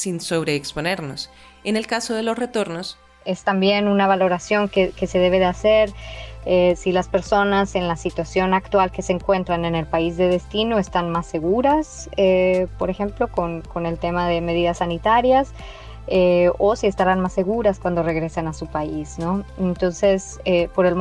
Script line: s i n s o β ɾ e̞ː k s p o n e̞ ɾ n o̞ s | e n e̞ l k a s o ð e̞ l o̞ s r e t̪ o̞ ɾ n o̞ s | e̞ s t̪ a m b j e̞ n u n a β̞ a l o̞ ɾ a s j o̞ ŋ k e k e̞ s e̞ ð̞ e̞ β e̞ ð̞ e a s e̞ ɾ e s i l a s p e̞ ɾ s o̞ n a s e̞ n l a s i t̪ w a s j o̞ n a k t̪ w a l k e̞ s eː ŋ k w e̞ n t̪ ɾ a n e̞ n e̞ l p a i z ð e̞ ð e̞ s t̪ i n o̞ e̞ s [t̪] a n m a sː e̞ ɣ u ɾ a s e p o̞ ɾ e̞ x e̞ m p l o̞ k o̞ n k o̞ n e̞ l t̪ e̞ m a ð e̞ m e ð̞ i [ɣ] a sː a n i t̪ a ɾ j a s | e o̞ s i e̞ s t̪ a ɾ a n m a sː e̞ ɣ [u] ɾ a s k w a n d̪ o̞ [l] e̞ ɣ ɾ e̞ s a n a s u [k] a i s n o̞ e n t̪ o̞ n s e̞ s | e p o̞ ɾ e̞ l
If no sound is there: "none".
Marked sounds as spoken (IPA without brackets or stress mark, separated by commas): t̪, ð, u, r, p